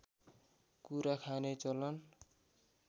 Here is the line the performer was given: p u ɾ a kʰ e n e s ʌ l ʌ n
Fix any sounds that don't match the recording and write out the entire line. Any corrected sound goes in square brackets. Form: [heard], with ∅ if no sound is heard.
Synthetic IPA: [k] u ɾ a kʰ [a] n e [t͡s] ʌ l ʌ n